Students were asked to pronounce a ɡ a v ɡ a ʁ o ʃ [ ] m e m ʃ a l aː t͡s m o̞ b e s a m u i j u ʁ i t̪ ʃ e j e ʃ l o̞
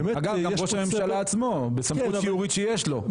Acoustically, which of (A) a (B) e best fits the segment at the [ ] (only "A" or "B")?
A